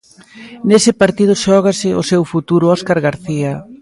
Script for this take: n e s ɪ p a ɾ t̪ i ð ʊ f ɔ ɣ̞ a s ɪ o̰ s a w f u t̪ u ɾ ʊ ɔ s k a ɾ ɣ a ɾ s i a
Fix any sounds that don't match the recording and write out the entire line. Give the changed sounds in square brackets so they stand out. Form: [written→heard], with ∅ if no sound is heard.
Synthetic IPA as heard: n e s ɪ p a ɾ t̪ i ð ʊ [f→ʃ] ɔ ɣ̞ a s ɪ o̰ s [a→e] w f u t̪ u ɾ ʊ ɔ s k a ɾ ɣ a ɾ [s→θ] i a